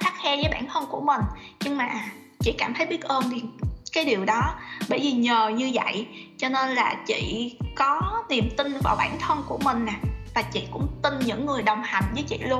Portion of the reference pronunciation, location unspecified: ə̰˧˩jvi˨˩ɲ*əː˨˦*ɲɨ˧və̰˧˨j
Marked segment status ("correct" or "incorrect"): incorrect